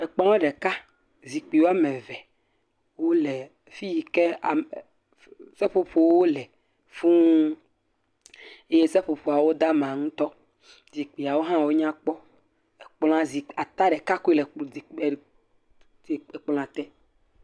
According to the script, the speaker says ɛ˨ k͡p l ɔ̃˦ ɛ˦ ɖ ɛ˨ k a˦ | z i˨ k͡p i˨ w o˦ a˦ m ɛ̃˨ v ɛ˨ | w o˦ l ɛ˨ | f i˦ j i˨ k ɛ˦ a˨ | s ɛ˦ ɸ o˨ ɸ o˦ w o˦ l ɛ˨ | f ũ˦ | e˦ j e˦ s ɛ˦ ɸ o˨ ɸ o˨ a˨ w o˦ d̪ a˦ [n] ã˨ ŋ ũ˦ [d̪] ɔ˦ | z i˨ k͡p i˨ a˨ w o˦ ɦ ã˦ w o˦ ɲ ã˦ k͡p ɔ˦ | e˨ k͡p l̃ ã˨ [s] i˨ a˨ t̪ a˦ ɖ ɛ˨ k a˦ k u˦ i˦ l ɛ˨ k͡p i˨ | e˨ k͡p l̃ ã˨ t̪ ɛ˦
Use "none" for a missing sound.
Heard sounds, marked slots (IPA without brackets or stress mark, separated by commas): m, t̪, z